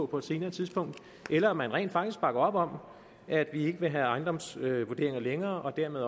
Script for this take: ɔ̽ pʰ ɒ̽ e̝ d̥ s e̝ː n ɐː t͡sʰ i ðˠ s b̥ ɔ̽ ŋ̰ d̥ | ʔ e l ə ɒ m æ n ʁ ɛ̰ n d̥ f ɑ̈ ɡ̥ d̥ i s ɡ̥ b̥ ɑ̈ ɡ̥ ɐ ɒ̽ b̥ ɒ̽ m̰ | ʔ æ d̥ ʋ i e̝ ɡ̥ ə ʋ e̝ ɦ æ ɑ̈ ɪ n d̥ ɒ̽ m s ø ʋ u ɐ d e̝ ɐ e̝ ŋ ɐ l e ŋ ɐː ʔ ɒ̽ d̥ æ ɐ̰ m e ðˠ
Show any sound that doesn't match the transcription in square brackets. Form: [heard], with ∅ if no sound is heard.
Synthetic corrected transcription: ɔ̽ pʰ ɒ̽ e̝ d̥ s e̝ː n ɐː t͡sʰ i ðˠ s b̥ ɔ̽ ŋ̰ d̥ | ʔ e l [ɐ] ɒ m æ n ʁ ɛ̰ n d̥ f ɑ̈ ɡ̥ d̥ i s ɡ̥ b̥ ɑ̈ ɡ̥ ɐ ɒ̽ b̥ ɒ̽ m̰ | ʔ æ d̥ ʋ i e̝ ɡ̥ ə ʋ e̝ ɦ æ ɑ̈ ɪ n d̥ ɒ̽ m s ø ʋ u ɐ d e̝ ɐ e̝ ŋ ɐ l e ŋ ɐː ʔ ɒ̽ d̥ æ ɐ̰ m e ðˠ